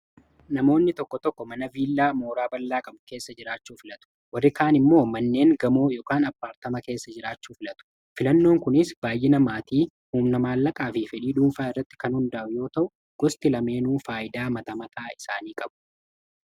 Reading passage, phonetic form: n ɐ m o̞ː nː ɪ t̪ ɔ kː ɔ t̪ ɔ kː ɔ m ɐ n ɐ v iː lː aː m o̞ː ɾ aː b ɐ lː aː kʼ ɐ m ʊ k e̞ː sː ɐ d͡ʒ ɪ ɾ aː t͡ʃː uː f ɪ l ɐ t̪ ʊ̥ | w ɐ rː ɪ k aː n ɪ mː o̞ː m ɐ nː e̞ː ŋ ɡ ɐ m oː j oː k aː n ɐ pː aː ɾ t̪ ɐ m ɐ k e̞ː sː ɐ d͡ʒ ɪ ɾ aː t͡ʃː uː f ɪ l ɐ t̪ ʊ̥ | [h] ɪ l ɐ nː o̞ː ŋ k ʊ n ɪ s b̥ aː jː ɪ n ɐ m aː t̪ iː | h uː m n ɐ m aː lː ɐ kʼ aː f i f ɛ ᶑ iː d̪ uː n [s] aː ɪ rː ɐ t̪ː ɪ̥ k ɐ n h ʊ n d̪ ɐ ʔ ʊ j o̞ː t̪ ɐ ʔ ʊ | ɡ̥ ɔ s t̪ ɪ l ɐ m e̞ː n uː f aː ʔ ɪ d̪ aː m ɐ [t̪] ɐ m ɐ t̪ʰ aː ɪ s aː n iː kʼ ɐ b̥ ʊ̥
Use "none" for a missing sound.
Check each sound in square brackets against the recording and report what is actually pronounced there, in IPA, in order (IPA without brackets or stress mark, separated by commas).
f, f, t̪